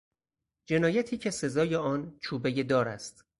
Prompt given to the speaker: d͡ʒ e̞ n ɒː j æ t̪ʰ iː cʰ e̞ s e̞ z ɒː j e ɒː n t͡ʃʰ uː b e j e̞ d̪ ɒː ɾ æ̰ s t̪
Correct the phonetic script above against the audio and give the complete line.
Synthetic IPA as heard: d͡ʒ e̞ n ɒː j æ t̪ʰ iː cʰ e̞ s e̞ z ɒː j e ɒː n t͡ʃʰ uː b e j e̞ d̪ ɒː ɾ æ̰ s t̪